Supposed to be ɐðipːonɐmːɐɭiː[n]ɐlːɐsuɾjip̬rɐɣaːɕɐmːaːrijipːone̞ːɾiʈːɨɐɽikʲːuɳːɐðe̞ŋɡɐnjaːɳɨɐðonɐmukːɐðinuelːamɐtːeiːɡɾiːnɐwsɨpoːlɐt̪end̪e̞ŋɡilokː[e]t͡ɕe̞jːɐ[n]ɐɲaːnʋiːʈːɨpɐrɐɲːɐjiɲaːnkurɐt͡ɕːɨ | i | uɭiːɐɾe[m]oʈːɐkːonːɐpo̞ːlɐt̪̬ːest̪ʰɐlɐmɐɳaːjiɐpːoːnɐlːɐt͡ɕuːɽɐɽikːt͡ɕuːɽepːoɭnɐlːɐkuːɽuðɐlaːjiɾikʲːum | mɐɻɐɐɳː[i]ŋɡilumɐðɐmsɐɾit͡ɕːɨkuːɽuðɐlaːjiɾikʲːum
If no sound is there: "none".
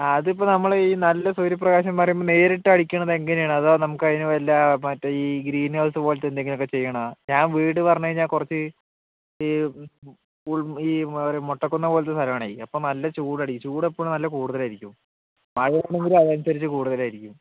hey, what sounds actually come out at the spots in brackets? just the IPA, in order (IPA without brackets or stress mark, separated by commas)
n, e, ɳ, m, e